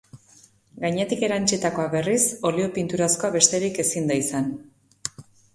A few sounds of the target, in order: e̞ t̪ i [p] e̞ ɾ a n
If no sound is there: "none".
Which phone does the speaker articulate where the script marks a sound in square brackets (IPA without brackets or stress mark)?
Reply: k